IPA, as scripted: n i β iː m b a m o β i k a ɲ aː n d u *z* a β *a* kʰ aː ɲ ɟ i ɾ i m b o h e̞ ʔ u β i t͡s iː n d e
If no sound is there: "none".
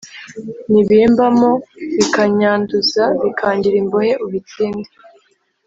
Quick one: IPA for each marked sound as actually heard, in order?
z, i

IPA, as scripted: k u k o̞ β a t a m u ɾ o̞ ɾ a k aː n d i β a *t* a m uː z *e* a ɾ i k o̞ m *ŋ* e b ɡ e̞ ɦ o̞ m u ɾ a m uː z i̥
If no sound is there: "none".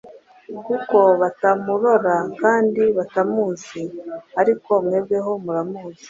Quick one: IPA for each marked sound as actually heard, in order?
t, i, ŋ

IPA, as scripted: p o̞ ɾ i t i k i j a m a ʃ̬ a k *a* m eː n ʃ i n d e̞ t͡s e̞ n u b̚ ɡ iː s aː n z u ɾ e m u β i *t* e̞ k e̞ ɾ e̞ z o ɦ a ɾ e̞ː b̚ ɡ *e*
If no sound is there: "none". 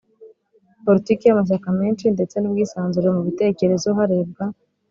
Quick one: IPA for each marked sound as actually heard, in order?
a, t, a

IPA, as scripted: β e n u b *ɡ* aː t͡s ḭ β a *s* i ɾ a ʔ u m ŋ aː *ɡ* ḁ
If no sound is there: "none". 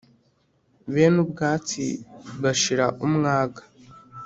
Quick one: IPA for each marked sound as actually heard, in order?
ɡ, ʃ, ɡ

